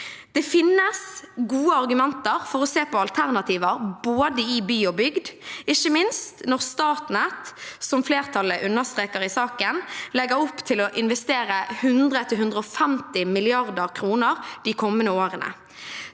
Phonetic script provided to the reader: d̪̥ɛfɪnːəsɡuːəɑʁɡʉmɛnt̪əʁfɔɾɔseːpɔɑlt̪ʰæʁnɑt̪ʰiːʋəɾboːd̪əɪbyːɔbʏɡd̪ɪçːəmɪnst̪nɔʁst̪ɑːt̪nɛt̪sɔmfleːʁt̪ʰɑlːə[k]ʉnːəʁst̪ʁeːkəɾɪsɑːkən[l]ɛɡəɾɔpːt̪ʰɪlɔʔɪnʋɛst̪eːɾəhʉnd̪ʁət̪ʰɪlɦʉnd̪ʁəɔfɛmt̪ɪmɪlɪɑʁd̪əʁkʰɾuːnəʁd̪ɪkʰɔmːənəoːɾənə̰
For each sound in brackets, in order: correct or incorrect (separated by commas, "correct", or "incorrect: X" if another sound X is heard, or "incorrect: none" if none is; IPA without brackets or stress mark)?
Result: incorrect: ʔ, correct